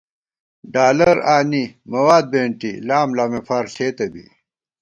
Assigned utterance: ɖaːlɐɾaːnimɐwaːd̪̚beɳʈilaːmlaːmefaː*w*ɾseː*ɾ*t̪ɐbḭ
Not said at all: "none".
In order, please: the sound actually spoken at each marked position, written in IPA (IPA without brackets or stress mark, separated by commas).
none, none